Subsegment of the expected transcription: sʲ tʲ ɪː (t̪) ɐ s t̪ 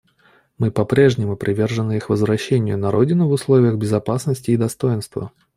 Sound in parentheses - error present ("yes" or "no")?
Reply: yes